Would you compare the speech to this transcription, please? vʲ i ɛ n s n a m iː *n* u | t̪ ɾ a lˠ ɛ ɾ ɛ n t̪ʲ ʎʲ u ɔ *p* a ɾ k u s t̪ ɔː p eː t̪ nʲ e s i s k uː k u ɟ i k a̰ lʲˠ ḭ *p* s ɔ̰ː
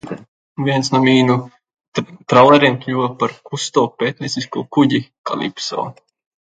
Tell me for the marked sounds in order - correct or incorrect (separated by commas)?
correct, correct, correct